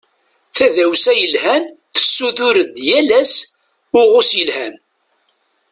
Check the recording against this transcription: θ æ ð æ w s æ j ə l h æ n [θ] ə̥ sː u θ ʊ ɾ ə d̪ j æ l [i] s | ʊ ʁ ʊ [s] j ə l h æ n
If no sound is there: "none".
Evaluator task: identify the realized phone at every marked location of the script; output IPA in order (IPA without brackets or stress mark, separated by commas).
θ, æ, s